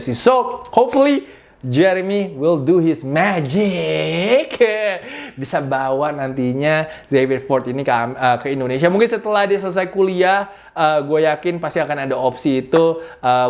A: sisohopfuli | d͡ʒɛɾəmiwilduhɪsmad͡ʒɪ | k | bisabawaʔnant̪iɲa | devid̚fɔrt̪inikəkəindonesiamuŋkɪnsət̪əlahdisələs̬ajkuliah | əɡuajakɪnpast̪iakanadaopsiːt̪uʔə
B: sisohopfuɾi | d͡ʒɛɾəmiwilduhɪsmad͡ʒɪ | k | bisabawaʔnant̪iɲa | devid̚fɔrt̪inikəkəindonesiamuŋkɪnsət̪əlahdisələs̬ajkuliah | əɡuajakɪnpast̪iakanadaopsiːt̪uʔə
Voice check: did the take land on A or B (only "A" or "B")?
A